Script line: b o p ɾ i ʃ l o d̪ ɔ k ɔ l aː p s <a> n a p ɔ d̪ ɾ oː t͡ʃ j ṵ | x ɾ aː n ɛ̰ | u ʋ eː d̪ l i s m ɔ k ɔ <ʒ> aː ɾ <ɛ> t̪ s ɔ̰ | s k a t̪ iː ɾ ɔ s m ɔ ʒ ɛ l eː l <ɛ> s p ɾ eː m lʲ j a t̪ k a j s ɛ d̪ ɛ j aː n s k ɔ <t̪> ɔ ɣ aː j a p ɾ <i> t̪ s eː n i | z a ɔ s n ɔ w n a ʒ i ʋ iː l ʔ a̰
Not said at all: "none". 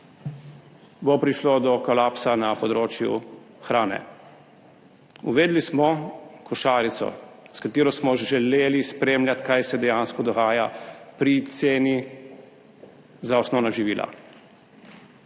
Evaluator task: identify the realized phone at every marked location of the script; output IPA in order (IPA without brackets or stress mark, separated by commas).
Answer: a, ʃ, i, i, d̪, i